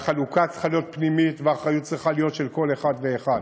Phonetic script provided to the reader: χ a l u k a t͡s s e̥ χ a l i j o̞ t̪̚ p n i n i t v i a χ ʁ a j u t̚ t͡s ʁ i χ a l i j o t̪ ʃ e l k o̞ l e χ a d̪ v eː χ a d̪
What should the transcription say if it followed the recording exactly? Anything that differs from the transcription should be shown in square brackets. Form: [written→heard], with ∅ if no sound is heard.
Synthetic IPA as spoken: χ a l u k a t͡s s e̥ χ a l i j o̞ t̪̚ p n i [n→m] i t v [i→e] a χ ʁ a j u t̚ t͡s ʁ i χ a l i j o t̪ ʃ e l k o̞ l e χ a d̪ v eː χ a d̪